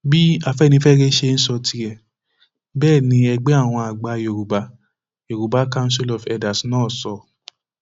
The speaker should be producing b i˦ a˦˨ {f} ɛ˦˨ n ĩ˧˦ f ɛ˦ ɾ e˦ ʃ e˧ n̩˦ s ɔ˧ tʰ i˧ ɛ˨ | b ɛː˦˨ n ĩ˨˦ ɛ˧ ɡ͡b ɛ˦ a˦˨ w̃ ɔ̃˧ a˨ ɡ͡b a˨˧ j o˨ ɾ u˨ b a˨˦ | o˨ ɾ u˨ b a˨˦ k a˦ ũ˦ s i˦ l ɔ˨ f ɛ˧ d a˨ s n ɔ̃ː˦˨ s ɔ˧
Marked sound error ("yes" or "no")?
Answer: no